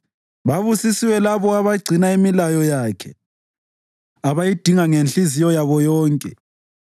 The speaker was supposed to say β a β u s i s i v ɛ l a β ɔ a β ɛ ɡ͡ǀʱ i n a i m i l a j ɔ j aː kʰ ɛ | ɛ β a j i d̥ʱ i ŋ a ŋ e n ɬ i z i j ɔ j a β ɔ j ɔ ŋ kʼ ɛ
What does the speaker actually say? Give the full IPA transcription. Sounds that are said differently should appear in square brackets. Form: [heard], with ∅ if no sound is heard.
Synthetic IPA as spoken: β a β u s i s i [w] ɛ l a β ɔ a β [a] ɡ͡ǀʱ i n a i m i l a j ɔ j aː kʰ ɛ | [a] β a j i d̥ʱ i ŋ a ŋ e n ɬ i z i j ɔ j a β ɔ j [ɔː] ŋ kʼ ɛ